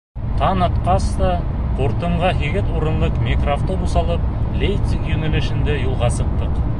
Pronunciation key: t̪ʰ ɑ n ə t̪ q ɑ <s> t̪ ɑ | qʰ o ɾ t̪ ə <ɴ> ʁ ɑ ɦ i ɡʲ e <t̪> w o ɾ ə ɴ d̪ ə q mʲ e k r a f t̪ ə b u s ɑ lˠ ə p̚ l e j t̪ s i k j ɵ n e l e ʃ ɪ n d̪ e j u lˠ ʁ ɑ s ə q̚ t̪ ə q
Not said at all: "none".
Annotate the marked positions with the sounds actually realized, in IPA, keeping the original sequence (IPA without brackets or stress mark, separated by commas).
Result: s, ɴ, t̪